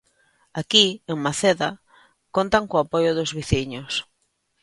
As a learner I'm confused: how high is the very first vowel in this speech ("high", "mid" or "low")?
low